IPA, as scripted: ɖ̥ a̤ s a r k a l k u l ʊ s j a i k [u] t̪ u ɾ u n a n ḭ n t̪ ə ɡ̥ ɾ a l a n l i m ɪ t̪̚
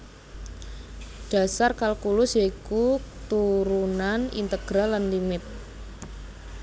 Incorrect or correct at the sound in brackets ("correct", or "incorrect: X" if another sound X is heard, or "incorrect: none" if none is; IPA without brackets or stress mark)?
correct